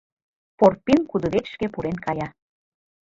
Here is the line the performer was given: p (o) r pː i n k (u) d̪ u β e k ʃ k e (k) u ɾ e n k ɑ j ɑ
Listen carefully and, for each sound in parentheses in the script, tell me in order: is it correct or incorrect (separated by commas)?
correct, correct, incorrect